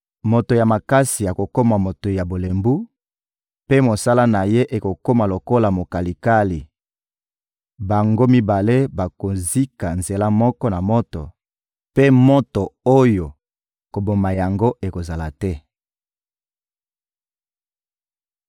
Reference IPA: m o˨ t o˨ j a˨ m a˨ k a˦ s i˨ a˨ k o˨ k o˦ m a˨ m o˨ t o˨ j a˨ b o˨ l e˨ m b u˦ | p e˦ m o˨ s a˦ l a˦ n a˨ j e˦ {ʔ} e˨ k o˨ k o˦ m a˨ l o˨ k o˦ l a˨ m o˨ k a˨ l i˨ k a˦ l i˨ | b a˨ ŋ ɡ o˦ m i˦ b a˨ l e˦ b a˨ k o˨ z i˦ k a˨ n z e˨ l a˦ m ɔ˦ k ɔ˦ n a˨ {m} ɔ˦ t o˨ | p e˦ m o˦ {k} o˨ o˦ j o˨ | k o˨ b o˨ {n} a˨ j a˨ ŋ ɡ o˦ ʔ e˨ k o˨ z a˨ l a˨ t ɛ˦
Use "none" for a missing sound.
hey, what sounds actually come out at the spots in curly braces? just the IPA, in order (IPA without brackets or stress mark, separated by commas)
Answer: ʔ, m, t, m